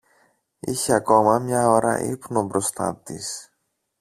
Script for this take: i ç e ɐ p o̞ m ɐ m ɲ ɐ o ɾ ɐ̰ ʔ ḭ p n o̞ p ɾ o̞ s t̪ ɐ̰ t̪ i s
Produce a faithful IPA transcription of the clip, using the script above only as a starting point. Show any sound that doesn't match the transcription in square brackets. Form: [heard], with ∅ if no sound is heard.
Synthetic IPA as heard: i ç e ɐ [k] o̞ m ɐ m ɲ ɐ o ɾ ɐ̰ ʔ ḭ p n o̞ [b] ɾ o̞ s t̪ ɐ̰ t̪ i s